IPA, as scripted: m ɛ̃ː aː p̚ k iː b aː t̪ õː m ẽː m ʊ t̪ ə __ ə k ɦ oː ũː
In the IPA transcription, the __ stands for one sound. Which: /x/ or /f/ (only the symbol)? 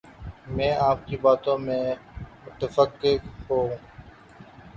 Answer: f